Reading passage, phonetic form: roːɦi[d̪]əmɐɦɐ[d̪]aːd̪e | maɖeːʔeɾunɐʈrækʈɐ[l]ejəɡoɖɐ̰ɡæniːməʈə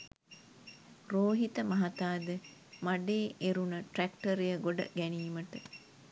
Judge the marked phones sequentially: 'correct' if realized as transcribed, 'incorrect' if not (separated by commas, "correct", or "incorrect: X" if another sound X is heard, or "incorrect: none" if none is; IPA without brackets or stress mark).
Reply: incorrect: t̪, incorrect: t̪, incorrect: ɾ